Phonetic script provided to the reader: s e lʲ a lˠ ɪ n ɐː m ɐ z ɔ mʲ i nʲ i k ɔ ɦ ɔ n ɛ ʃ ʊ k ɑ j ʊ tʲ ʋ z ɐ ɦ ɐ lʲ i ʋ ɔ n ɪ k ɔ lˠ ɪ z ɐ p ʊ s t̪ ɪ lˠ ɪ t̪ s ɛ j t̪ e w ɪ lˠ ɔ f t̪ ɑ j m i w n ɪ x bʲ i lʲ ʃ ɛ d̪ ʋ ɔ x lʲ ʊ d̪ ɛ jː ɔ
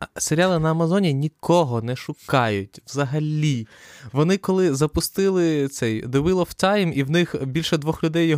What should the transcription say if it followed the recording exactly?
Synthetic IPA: s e ɾʲ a lˠ ɪ n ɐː m ɐ z ɔ nʲ i nʲ i k ɔ ɦ ɔ n ɛ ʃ ʊ k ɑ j ʊ tʲ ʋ z ɐ ɦ ɐ lʲ i ʋ ɔ n ɪ k ɔ lˠ ɪ z ɐ p ʊ s t̪ ɪ lˠ ɪ t̪ s ɛ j d̪ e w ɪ lˠ ɔ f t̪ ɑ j m i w n ɪ x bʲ i lʲ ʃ ɛ d̪ ʋ ɔ x lʲ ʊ d̪ ɛ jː ɔ